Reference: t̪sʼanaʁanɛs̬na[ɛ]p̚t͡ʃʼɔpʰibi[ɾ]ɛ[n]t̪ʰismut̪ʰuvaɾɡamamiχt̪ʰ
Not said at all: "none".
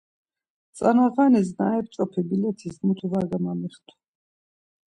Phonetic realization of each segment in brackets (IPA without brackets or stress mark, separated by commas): ɛ, l, none